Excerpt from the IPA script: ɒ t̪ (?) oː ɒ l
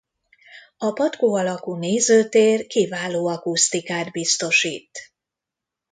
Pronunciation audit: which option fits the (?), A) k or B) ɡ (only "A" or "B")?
A